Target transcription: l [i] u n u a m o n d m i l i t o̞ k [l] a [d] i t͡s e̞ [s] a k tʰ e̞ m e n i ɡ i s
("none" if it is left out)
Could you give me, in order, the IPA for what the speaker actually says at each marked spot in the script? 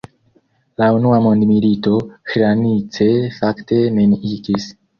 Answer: a, ɾ, n, f

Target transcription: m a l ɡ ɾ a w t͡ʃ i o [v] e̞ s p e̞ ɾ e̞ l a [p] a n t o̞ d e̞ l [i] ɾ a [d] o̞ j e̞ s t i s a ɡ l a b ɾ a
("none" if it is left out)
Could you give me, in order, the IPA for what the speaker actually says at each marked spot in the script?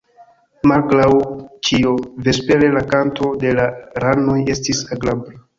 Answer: v, k, a, n

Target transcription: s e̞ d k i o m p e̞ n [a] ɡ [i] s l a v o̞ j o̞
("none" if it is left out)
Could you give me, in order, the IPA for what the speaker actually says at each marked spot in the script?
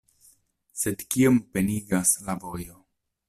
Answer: i, a

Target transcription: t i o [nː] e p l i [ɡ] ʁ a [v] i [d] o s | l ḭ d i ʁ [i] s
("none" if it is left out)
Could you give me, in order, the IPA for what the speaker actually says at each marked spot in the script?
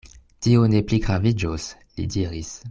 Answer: n, ɡ, v, d͡ʒ, i

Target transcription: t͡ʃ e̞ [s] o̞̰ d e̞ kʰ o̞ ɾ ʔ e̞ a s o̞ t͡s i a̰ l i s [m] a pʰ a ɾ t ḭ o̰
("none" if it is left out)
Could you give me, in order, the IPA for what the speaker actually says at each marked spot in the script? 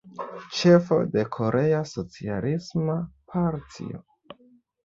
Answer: f, m

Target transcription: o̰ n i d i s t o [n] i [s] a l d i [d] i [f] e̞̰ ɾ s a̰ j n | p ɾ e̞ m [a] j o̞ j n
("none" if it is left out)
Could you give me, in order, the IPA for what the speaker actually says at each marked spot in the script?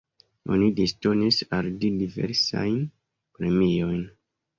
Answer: n, s, d, v, i

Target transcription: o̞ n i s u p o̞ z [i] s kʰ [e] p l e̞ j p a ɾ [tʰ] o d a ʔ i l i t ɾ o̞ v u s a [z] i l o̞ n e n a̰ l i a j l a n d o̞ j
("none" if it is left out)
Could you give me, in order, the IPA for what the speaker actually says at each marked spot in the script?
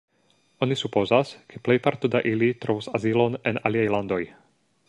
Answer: a, e, t, z

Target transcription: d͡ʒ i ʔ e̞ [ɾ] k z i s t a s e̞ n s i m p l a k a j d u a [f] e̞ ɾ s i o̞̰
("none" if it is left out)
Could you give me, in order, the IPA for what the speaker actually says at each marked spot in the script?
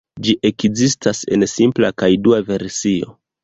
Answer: none, v

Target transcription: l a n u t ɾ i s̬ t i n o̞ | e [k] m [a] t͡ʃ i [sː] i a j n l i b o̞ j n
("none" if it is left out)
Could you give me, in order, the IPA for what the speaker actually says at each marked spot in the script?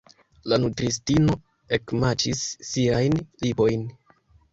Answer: k, a, sː

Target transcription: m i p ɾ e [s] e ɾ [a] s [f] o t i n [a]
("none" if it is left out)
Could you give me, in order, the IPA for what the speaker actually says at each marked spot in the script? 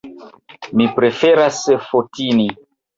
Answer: f, a, f, i

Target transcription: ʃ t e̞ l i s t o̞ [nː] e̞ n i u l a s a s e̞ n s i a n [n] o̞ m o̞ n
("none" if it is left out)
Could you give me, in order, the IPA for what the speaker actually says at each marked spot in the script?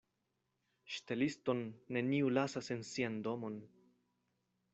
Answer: nː, d

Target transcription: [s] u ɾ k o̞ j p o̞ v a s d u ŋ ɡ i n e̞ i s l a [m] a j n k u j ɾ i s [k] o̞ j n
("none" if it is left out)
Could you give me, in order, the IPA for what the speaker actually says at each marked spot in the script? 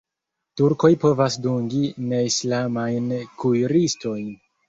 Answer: t, m, t

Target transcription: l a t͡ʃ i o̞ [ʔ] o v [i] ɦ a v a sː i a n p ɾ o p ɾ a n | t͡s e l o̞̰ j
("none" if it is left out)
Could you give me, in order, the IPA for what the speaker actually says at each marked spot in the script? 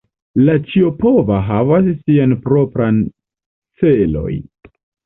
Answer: p, a

